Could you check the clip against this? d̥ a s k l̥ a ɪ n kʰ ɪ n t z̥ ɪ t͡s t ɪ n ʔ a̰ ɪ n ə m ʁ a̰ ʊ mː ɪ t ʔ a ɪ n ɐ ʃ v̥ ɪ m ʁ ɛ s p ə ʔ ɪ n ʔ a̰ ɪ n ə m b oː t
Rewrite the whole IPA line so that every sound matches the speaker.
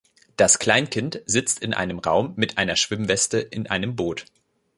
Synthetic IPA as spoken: d̥ a s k l̥ a ɪ n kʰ ɪ n t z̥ ɪ t͡s t ɪ n ʔ a̰ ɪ n ə m ʁ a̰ ʊ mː ɪ t ʔ a ɪ n ɐ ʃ v̥ ɪ m v ɛ s t ə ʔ ɪ n ʔ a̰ ɪ n ə m b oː t